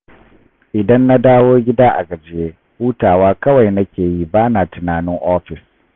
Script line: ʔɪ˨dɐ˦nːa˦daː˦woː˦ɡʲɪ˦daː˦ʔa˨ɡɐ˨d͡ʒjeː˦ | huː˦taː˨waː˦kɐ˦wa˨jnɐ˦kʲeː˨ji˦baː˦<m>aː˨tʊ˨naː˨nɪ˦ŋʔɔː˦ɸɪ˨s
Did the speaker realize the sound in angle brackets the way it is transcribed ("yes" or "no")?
no